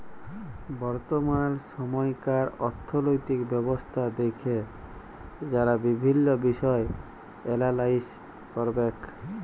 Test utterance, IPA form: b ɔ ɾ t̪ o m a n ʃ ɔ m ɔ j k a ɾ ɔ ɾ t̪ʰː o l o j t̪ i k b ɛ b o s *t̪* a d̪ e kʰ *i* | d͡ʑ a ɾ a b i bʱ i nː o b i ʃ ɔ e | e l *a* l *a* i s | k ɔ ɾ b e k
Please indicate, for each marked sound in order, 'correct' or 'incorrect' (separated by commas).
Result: incorrect, incorrect, correct, correct